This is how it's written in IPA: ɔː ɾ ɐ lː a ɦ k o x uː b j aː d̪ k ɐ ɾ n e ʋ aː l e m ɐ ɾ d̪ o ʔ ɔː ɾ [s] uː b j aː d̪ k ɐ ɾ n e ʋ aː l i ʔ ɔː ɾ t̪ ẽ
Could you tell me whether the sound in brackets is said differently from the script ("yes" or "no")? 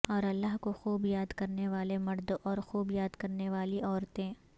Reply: yes